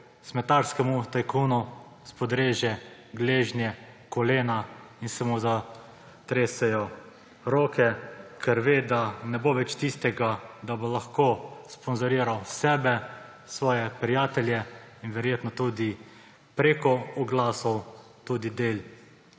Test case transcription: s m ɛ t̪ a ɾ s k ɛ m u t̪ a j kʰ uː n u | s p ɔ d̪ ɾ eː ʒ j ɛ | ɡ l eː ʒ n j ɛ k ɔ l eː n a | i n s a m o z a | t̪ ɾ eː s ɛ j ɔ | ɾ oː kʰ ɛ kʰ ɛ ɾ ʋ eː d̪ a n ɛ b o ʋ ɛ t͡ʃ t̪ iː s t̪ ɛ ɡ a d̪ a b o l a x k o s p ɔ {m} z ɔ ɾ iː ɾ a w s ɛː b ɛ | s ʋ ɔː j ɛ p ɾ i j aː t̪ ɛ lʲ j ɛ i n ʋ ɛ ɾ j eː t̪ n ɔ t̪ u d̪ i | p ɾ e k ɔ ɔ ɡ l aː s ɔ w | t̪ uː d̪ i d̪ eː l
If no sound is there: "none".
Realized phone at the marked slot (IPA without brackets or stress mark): n